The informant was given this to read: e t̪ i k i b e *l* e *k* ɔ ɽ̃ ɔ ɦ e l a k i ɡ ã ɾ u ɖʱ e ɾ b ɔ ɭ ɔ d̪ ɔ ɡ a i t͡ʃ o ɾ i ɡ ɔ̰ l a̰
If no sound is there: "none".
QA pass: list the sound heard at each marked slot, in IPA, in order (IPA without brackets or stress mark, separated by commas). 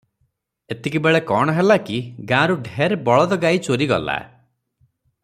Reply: ɭ, k